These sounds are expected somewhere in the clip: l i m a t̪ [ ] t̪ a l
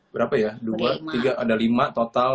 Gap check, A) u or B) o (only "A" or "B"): B